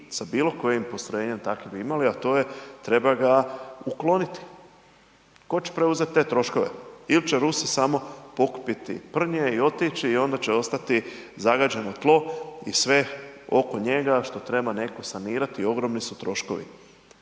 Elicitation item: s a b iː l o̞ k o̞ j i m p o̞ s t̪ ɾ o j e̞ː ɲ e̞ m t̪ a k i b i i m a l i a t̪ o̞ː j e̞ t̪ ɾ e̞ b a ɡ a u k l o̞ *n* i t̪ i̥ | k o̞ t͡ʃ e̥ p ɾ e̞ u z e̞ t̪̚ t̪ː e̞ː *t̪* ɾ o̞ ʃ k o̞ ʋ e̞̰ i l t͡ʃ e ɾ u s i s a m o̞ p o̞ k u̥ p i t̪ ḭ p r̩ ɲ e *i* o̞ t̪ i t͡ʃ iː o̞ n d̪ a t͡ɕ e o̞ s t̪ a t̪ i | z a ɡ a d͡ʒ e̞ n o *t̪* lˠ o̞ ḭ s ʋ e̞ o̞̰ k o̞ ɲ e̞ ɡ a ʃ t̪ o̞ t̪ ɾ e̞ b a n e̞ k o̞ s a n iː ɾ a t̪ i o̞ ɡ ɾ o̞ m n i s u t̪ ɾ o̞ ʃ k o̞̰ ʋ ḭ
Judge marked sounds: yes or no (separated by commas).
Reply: yes, yes, yes, yes